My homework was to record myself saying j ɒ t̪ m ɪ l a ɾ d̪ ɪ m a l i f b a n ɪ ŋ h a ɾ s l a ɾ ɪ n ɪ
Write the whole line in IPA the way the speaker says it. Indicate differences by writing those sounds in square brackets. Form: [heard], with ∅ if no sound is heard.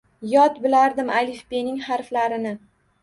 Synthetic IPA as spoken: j ɒ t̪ [b] ɪ l a ɾ d̪ ɪ m a l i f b [e] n ɪ ŋ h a ɾ [f] l a ɾ ɪ n ɪ